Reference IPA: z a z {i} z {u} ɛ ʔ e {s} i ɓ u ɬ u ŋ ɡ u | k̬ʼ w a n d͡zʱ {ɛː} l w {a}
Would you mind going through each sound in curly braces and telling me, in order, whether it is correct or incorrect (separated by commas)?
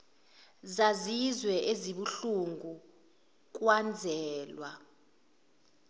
correct, incorrect, incorrect, correct, correct